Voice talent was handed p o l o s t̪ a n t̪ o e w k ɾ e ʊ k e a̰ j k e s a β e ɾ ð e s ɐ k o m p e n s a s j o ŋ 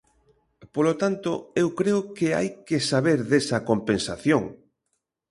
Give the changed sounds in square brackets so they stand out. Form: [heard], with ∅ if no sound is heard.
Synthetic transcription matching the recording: p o l o [∅] t̪ a n t̪ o e w k ɾ e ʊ k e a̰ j k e s a β e ɾ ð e s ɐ k o m p e n s a [θ] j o ŋ